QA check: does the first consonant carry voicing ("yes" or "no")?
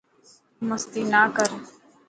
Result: yes